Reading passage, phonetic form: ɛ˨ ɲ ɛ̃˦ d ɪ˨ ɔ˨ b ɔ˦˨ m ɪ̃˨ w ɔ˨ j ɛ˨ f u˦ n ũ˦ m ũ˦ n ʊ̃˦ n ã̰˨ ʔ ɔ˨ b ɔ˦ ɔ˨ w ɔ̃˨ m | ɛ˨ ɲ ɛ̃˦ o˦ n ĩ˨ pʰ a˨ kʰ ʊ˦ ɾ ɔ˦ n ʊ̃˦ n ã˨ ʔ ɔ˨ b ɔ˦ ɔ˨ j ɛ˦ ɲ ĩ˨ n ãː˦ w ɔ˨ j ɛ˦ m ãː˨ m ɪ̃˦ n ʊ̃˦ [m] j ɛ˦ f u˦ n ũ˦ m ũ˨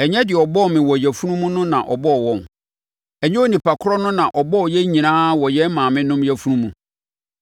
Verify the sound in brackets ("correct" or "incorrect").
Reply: correct